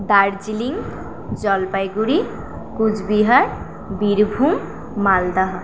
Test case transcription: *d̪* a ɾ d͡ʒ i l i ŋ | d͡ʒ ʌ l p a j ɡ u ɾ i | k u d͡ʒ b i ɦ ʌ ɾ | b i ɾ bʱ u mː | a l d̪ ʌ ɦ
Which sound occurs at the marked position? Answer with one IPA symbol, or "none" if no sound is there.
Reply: d̪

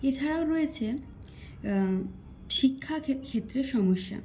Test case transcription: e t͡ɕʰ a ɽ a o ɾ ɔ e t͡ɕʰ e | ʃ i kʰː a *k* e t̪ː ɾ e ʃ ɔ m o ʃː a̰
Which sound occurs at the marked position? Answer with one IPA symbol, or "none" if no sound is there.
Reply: kʰ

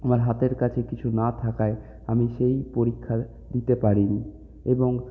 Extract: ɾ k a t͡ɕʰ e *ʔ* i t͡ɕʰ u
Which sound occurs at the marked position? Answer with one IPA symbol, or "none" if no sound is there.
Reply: k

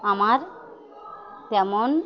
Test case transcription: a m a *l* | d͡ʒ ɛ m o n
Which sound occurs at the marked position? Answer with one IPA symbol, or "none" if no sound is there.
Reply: ɾ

